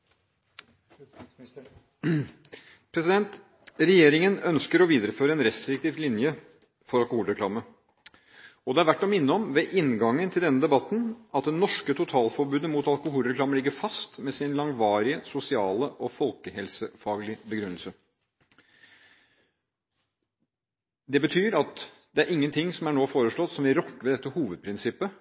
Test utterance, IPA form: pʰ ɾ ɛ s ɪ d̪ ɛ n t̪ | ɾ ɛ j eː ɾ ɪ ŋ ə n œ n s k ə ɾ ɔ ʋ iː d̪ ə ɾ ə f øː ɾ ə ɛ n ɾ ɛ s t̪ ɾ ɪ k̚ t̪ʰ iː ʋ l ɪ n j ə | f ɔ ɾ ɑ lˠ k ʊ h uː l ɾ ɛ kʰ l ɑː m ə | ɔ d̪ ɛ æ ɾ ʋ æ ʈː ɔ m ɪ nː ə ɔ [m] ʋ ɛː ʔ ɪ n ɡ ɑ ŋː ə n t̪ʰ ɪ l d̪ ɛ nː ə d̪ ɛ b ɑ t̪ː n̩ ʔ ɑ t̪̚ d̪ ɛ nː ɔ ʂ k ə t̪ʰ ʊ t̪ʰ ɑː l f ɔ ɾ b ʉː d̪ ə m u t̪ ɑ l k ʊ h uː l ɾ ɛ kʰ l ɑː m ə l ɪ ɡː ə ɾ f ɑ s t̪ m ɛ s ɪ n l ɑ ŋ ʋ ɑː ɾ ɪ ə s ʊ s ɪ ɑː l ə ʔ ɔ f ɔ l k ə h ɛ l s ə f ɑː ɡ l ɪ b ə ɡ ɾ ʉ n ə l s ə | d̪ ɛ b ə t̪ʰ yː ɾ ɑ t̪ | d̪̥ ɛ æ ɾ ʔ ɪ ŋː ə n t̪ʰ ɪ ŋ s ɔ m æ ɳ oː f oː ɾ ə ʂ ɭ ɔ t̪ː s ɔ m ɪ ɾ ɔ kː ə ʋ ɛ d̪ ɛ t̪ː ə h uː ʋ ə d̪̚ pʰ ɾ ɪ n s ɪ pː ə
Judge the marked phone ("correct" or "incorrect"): correct